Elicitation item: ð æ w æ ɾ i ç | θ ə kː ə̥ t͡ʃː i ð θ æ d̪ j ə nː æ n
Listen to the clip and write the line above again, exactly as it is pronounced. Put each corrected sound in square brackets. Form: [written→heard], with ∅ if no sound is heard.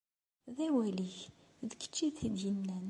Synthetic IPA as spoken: ð æ w æ [ɾ→l] i ç | [θ→ð] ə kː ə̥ t͡ʃː i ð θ [æ→i] d̪ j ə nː æ n